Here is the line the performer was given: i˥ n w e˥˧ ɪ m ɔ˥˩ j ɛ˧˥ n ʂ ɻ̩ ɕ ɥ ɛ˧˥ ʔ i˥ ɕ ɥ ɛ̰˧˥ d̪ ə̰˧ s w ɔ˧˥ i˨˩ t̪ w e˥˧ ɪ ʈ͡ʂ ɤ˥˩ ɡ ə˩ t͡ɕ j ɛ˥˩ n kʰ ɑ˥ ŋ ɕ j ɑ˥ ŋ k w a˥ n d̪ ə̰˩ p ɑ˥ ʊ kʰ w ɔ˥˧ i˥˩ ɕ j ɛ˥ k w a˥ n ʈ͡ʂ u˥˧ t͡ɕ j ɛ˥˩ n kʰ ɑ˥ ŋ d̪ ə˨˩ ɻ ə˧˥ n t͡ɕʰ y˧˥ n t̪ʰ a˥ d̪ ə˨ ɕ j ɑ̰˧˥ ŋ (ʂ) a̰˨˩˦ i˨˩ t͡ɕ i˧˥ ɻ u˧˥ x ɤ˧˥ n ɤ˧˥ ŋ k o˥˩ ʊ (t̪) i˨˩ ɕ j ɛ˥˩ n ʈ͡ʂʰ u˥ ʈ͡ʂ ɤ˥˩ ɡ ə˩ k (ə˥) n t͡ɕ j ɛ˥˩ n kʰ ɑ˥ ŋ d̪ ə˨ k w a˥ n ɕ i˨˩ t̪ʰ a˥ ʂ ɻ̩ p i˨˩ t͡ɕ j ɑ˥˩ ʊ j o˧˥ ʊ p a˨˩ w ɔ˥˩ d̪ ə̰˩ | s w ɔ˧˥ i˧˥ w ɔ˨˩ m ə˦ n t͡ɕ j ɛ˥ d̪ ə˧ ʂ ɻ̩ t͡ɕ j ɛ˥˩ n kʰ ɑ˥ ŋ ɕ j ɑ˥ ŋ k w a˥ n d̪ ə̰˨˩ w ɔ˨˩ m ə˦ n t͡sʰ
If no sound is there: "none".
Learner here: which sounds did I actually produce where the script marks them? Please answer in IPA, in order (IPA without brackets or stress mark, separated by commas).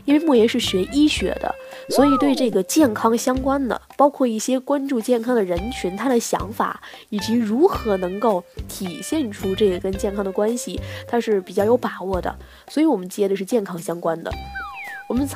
f, t̪ʰ, ə˥